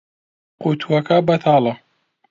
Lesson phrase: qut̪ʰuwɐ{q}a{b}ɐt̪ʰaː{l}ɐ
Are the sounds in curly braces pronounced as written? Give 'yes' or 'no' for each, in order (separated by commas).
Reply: no, yes, yes